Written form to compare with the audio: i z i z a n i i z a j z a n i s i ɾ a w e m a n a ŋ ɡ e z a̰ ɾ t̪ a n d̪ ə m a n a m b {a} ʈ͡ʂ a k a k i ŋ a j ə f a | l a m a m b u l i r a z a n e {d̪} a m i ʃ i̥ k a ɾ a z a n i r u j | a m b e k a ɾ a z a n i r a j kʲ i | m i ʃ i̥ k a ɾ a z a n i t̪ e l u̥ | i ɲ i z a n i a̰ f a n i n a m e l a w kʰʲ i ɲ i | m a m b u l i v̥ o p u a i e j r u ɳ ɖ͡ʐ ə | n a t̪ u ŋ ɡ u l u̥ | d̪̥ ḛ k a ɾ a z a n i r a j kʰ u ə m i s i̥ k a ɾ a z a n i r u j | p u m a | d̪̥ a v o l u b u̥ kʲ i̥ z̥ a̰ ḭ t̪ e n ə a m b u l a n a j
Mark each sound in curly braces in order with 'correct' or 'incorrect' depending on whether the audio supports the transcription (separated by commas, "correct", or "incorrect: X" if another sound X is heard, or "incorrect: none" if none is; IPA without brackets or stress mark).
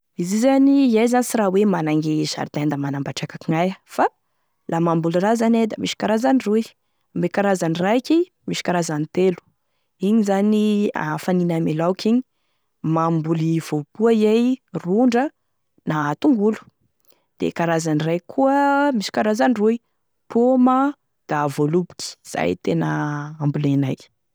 correct, correct